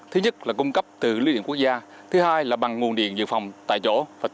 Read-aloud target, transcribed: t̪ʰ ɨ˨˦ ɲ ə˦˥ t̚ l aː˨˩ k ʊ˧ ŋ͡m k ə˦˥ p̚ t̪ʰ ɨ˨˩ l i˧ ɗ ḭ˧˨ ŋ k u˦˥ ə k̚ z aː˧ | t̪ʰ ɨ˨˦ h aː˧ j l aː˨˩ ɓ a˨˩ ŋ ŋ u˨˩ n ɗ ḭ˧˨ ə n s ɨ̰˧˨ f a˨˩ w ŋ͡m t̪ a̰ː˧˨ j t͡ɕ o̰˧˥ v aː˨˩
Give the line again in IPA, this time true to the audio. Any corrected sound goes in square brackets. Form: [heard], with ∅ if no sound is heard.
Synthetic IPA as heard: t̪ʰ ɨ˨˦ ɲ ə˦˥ t̚ l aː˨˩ k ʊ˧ ŋ͡m k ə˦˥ p̚ [t̪] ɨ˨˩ l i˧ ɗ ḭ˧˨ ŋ k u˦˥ ə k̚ z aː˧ | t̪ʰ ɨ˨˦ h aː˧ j l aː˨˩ ɓ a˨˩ ŋ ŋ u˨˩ n ɗ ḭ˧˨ ə n [z] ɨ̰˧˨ f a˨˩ w ŋ͡m t̪ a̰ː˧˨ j t͡ɕ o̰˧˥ v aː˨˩